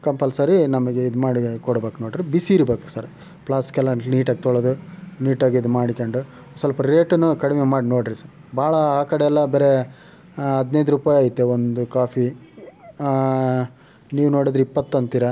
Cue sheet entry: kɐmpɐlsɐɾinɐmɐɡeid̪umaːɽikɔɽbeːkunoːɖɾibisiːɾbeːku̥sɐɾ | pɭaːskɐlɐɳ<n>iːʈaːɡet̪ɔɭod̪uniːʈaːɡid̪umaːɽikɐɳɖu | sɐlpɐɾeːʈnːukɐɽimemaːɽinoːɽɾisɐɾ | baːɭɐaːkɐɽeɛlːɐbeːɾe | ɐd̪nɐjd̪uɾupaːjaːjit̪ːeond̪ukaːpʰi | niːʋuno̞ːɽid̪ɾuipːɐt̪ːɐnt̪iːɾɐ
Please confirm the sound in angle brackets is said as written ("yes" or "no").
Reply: yes